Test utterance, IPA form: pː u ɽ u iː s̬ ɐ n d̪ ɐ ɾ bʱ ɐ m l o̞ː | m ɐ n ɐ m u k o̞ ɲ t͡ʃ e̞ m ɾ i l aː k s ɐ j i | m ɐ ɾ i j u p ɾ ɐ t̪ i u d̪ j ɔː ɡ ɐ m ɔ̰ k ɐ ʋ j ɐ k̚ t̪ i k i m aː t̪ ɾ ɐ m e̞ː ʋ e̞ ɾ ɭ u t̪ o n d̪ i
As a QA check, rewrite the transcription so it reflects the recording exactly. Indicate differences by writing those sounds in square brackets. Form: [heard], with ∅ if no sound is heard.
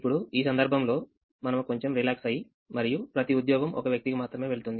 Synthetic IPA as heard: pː u ɽ u iː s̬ ɐ n d̪ ɐ ɾ bʱ ɐ m l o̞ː | m ɐ n ɐ m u k o̞ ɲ t͡ʃ e̞ m ɾ i l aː k s ɐ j i | m ɐ ɾ i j u p ɾ ɐ t̪ i u d̪ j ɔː ɡ ɐ m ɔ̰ k ɐ ʋ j ɐ k̚ t̪ i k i m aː t̪ ɾ ɐ m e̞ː ʋ e̞ [∅] ɭ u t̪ [u] n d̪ i